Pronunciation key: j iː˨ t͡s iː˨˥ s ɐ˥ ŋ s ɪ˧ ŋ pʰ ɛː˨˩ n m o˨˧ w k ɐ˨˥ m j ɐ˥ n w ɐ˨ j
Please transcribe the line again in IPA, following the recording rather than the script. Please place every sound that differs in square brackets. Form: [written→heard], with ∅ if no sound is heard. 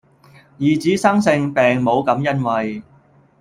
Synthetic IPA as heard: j iː˨ t͡s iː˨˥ s ɐ˥ ŋ s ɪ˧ ŋ [pʰ→p] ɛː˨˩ [n→ŋ] m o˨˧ w k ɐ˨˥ m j ɐ˥ n w ɐ˨ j